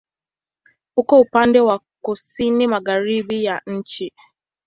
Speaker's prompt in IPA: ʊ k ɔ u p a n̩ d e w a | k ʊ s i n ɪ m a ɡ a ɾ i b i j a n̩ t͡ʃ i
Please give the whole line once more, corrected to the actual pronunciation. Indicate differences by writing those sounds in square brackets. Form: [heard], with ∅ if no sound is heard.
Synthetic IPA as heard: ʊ k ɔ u p a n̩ d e w a | k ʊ s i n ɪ m a ɡ a ɾ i b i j a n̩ t͡ʃ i